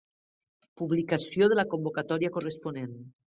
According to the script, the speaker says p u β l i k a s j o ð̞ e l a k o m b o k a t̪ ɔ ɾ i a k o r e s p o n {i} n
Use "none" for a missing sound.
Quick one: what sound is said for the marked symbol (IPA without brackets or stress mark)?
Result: e